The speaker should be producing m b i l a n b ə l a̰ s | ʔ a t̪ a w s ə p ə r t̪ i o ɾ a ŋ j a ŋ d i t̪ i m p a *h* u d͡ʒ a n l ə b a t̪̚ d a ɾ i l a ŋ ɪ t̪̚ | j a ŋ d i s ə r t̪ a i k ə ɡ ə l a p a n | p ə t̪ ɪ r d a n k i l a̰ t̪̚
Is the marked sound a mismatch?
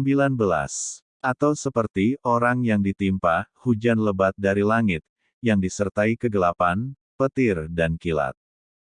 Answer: no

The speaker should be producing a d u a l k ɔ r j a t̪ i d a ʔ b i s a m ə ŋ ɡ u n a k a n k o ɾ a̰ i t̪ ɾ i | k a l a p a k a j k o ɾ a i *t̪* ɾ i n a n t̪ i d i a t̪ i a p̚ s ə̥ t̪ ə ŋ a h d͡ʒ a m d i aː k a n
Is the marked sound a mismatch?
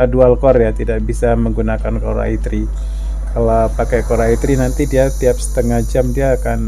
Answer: no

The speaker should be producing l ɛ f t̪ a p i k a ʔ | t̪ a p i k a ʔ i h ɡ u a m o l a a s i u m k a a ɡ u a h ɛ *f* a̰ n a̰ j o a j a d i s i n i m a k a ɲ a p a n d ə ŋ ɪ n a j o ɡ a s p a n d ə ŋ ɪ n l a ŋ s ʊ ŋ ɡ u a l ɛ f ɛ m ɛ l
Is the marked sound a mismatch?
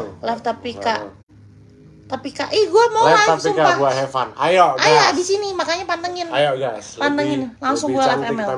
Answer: no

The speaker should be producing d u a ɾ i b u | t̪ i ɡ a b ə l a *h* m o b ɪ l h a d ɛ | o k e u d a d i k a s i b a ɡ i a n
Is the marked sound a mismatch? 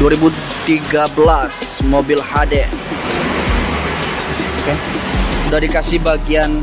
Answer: yes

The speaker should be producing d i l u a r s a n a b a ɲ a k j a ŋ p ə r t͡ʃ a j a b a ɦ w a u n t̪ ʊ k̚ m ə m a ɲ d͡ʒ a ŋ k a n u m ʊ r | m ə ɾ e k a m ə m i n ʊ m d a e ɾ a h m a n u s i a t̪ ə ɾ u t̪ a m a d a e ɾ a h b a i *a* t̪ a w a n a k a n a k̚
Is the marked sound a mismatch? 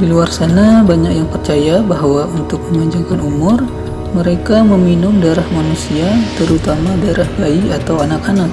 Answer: no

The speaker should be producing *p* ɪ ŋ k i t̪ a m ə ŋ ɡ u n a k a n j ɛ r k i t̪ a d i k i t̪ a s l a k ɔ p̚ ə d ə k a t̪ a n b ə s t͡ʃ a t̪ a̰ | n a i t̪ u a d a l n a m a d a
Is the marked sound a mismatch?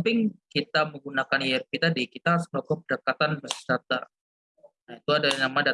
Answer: no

